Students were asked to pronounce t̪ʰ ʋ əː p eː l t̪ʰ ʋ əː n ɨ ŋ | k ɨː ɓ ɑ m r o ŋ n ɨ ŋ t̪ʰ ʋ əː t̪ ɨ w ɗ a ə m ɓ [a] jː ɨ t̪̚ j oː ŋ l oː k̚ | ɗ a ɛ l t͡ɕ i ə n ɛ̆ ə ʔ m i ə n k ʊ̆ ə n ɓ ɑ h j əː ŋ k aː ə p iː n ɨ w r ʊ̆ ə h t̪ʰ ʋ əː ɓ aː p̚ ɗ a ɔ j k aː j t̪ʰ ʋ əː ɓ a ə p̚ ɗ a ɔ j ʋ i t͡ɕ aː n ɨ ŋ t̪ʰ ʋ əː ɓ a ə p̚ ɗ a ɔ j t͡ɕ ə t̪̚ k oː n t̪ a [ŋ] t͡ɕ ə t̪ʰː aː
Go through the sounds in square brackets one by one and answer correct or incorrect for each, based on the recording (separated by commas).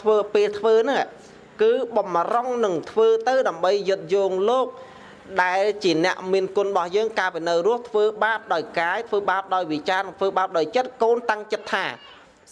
incorrect, correct